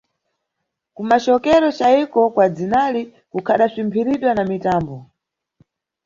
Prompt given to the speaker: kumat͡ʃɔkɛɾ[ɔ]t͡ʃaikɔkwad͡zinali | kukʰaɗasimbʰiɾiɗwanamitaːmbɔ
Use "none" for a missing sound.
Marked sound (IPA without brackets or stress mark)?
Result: ɔ